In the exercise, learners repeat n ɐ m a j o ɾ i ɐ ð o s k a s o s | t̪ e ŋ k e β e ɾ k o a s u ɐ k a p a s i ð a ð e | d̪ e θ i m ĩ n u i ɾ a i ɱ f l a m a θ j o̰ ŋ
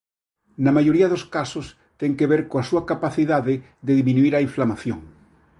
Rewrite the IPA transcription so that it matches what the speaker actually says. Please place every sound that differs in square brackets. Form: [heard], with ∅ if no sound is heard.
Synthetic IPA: n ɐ m a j o ɾ i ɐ ð o s k a s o s | t̪ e ŋ k e β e ɾ k o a s u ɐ k a p a [θ] i ð a ð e | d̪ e [ð] i m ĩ n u i ɾ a i ɱ f l a m a θ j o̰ ŋ